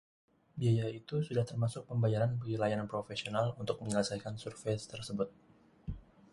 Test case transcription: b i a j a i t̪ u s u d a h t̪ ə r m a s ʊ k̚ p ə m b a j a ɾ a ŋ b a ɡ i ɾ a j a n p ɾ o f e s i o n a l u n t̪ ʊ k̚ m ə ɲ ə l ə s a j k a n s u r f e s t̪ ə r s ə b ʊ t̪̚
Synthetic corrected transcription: b i a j a i t̪ u s u d a h t̪ ə r m a s ʊ k̚ p ə m b a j a ɾ a n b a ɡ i l a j a n p ɾ o f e s i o n a l u n t̪ ʊ k̚ m ə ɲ ə l ə s a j k a n s u r f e s t̪ ə r s ə b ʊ t̪̚